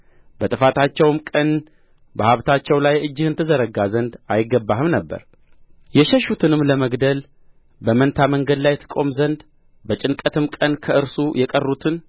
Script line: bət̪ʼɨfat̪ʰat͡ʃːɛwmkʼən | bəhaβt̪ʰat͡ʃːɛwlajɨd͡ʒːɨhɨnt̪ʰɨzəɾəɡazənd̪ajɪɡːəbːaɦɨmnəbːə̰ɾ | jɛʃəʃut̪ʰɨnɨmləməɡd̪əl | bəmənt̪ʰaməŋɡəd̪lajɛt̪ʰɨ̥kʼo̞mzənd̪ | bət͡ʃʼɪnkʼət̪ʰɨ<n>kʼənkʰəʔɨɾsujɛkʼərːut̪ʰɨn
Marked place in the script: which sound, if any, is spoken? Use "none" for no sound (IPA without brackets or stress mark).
m